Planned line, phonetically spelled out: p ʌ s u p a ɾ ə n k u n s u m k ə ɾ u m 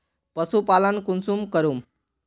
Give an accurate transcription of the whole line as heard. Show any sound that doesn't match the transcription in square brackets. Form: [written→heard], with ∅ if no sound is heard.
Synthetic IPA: p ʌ s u p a [ɾ→l] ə n k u n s u m k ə ɾ u m